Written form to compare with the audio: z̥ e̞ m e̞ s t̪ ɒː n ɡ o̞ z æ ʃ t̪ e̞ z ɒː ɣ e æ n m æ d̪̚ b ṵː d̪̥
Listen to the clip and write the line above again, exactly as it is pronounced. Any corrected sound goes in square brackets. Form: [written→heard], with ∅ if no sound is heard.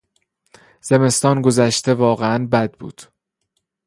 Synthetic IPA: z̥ e̞ m e̞ s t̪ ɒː n ɡ o̞ z æ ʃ t̪ e̞ [z→v] ɒː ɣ e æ n [m→b] æ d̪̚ b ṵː d̪̥